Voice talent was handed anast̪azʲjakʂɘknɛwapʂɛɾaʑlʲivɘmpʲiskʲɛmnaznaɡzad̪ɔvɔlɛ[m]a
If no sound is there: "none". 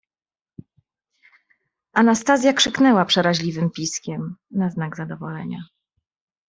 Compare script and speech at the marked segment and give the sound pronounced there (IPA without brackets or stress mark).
ɲ